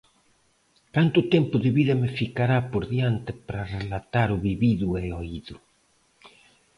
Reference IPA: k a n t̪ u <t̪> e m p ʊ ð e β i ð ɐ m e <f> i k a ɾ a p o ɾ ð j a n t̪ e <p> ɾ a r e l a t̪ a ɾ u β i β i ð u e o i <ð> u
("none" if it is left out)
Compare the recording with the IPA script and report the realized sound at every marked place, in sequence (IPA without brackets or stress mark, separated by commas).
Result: t̪, f, p, ð